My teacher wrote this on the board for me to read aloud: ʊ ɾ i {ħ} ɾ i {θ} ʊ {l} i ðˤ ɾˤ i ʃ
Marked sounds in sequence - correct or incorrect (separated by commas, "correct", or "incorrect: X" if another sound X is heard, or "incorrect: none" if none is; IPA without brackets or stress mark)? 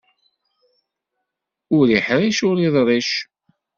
correct, incorrect: ʃ, incorrect: ɾ